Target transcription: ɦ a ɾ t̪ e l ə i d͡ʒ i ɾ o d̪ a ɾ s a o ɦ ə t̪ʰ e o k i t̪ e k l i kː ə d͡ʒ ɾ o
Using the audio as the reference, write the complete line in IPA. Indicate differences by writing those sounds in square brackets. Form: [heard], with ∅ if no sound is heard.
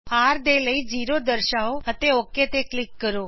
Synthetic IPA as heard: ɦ a ɾ [d̪] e l ə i d͡ʒ i ɾ o d̪ [ə] ɾ [ʃ] a o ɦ ə [t̪] e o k [e] t̪ e k l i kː ə [∅] ɾ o